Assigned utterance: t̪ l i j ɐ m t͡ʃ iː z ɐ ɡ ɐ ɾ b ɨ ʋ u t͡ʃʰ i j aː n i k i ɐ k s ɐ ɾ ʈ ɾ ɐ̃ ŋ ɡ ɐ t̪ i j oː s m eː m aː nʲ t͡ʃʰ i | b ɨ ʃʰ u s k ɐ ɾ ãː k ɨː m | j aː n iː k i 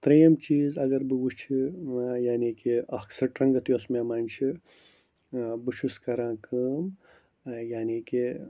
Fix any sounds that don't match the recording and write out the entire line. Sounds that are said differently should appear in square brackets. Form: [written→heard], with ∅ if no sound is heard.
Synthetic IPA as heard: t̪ [l→ɾ] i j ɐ m t͡ʃ iː z ɐ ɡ ɐ ɾ b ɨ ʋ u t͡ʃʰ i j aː n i k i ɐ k s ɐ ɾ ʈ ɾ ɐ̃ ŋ ɡ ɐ t̪ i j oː s m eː m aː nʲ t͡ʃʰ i | b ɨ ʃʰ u s k ɐ ɾ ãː k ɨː m | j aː n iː k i

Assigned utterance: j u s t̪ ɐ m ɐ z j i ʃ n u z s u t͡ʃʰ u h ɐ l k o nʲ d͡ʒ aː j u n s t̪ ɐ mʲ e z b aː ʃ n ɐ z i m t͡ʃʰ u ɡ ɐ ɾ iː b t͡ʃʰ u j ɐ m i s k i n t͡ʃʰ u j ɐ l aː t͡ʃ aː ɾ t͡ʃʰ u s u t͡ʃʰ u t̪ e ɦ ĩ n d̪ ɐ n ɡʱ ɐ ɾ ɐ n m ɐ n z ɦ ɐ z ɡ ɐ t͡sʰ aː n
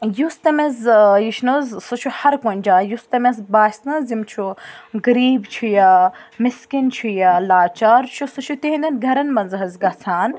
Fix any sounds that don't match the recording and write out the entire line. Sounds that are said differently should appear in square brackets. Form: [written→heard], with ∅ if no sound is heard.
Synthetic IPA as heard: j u s t̪ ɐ m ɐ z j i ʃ n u z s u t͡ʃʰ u h ɐ [l→ɾ] k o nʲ d͡ʒ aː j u [n→∅] s t̪ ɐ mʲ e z b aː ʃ n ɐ z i m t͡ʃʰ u ɡ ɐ ɾ iː b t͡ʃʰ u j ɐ m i s k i n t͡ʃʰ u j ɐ l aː t͡ʃ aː ɾ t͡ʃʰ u s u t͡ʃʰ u t̪ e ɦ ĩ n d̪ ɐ n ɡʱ ɐ ɾ ɐ n m ɐ n z ɦ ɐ z ɡ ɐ t͡sʰ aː n

